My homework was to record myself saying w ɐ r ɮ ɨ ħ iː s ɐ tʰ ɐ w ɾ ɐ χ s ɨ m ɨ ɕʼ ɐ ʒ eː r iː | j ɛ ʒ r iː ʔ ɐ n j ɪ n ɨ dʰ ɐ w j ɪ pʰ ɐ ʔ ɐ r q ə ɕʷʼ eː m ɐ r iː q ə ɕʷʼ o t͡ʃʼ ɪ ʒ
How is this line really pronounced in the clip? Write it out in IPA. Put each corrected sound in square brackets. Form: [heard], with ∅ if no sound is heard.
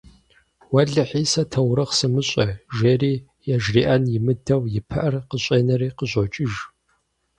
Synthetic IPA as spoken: w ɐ [∅] ɮ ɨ ħ iː s ɐ tʰ ɐ w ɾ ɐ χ s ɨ m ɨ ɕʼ ɐ ʒ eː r iː | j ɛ ʒ r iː ʔ ɐ n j ɪ [m] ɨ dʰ ɐ w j ɪ pʰ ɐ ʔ ɐ r q ə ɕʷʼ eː [n] ɐ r iː q ə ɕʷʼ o t͡ʃʼ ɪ ʒ